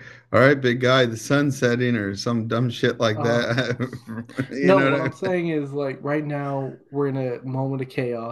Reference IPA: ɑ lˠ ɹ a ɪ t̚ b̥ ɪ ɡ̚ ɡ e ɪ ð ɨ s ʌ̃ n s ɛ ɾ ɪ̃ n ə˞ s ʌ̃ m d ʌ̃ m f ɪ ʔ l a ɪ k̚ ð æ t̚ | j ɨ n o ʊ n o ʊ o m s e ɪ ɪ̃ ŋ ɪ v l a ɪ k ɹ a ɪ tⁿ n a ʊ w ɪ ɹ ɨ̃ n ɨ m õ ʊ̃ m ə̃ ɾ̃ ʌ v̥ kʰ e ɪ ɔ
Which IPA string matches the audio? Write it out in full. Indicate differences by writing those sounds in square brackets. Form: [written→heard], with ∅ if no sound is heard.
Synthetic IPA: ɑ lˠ ɹ a ɪ t̚ b̥ ɪ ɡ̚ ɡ [e→a] ɪ ð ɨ s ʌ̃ n s ɛ ɾ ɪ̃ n ə˞ s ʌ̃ m d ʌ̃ m [f→ʃ] ɪ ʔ l a ɪ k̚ ð æ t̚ | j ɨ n o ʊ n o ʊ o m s e ɪ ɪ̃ ŋ ɪ [v→z] l a ɪ k ɹ a ɪ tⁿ n a ʊ w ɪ ɹ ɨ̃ n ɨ m õ ʊ̃ m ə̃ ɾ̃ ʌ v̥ kʰ e ɪ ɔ